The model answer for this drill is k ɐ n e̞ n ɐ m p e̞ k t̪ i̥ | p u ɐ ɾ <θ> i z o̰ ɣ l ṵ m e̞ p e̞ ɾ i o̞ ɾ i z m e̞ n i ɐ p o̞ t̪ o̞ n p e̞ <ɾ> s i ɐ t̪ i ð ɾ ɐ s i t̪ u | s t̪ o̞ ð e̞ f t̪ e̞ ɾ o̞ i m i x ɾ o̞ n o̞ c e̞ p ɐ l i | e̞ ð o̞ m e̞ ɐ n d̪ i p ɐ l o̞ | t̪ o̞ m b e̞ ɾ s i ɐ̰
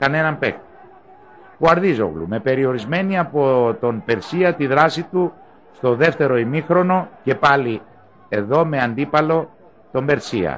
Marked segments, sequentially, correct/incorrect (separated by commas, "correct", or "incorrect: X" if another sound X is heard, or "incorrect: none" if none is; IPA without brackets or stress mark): incorrect: ð, correct